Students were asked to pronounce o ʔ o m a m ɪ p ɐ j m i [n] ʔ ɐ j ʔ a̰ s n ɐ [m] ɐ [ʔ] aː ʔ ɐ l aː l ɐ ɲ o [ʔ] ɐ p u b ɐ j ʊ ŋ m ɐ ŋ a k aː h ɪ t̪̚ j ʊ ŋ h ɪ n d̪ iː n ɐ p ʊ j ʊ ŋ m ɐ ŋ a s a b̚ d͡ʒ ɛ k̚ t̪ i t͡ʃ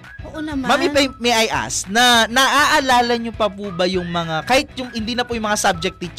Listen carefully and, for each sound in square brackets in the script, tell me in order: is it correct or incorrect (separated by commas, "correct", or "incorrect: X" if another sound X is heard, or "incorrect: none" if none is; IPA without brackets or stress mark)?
incorrect: none, incorrect: n, correct, incorrect: p